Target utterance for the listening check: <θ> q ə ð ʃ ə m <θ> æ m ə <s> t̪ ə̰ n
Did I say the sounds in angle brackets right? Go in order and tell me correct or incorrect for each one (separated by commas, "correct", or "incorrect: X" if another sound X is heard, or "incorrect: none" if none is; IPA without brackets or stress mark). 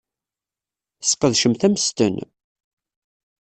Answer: incorrect: s, correct, correct